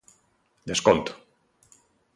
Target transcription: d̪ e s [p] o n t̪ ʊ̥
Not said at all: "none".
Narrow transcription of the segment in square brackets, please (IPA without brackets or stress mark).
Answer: k